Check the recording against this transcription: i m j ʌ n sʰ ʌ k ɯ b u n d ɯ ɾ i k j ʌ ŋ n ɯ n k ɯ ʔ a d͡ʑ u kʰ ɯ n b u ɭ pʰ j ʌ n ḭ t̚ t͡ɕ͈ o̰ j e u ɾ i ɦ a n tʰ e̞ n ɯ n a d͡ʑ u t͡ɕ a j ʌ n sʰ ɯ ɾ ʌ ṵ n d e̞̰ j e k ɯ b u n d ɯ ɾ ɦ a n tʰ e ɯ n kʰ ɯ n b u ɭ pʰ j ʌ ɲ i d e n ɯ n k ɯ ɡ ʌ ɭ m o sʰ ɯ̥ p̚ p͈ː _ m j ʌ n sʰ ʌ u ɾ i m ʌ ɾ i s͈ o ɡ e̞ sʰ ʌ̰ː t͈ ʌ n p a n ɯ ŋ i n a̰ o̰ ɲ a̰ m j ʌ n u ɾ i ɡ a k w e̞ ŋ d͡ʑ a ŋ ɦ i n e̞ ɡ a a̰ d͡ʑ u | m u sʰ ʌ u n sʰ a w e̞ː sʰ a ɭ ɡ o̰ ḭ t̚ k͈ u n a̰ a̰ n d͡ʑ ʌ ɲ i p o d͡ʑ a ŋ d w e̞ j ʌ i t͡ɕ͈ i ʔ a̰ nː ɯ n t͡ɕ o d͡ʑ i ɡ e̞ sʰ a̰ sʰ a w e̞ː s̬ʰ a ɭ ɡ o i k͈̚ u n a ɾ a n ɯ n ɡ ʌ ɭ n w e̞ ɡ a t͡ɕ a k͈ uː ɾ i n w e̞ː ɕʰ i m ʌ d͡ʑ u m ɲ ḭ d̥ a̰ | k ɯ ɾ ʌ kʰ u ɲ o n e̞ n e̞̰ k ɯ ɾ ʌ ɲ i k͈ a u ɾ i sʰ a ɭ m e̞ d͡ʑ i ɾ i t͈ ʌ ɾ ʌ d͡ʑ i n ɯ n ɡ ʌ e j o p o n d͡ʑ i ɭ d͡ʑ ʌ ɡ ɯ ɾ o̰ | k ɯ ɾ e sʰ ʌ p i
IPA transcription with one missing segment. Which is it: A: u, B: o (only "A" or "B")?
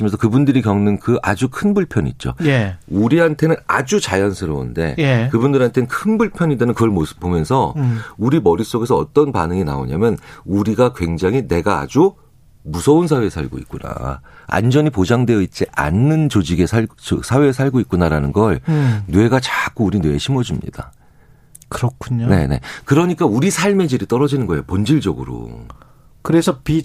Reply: B